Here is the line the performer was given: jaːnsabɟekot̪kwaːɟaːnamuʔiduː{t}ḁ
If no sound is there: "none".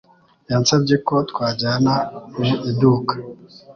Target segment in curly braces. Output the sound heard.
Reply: k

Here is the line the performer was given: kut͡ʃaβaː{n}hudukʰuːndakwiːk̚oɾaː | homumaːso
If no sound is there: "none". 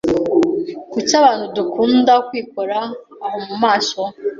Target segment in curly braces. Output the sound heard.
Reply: n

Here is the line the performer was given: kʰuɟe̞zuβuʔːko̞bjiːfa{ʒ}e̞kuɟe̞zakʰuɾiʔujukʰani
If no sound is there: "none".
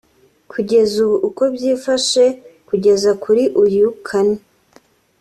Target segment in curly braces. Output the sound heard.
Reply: ʃ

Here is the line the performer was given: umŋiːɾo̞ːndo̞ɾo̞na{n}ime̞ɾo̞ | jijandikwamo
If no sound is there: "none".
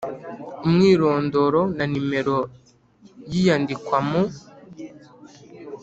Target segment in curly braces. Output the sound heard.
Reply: n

